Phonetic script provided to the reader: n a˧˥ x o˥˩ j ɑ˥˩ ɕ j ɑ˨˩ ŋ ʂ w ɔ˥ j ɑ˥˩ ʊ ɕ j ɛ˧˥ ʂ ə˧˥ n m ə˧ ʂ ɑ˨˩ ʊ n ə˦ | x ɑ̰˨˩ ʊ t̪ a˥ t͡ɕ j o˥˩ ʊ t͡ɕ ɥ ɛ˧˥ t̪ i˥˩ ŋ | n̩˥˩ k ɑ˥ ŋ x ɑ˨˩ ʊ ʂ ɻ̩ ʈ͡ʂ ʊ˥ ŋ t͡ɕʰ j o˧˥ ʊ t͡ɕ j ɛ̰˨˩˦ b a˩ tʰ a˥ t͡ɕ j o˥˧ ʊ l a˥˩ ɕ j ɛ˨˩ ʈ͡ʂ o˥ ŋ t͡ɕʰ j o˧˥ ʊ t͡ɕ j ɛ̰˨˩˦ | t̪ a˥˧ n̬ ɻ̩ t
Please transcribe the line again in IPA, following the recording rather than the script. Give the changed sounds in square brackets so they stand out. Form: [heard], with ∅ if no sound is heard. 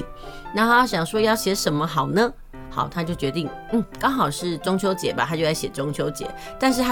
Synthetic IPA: n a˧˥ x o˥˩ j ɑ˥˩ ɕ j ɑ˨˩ ŋ ʂ w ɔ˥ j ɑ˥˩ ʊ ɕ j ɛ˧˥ ʂ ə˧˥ n m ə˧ [x] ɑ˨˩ ʊ n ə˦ | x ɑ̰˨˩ ʊ [t̪ʰ] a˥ t͡ɕ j o˥˩ ʊ t͡ɕ ɥ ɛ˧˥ t̪ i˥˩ ŋ | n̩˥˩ k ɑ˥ ŋ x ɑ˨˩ ʊ ʂ ɻ̩ ʈ͡ʂ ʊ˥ ŋ t͡ɕʰ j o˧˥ ʊ t͡ɕ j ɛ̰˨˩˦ b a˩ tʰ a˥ t͡ɕ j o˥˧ ʊ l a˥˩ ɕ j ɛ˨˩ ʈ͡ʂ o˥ ŋ t͡ɕʰ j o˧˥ ʊ t͡ɕ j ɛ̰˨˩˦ | t̪ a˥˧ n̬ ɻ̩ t